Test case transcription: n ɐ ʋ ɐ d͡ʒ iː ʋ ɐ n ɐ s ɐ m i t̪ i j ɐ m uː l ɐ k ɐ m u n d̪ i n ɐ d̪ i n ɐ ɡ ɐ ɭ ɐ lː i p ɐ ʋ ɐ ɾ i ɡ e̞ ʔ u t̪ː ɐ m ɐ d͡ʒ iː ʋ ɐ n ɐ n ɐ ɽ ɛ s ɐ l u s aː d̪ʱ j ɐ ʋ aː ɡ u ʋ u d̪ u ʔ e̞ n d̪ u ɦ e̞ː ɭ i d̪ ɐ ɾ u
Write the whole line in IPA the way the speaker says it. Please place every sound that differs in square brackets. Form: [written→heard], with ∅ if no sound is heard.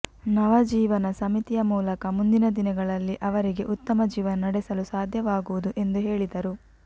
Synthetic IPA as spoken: n ɐ ʋ ɐ d͡ʒ iː ʋ ɐ n ɐ s ɐ m i t̪ i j ɐ m uː l ɐ k ɐ m u n d̪ i n ɐ d̪ i n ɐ ɡ ɐ ɭ ɐ lː i [p→ʔ] ɐ ʋ ɐ ɾ i ɡ e̞ ʔ u t̪ː ɐ m ɐ d͡ʒ iː ʋ ɐ n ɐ n ɐ ɽ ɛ s ɐ l u s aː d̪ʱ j ɐ ʋ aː ɡ u ʋ u d̪ u ʔ e̞ n d̪ u ɦ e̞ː ɭ i d̪ ɐ ɾ u